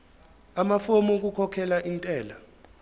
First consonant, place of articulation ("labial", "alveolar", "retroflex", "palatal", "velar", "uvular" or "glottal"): labial